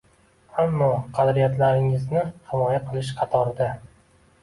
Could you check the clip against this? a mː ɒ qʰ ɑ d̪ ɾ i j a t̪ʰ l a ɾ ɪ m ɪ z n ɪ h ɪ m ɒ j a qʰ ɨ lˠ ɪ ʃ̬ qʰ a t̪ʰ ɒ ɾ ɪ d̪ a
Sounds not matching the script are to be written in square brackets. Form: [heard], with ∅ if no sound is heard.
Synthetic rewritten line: a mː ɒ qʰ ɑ d̪ ɾ i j a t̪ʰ l a ɾ ɪ [ŋ] ɪ z n ɪ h ɪ m ɒ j a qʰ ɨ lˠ ɪ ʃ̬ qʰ [ɑ] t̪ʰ ɒ ɾ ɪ d̪ a